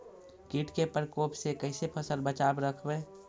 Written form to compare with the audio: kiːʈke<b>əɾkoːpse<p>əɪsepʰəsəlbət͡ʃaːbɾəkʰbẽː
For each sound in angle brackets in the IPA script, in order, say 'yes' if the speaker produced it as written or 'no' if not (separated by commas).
no, no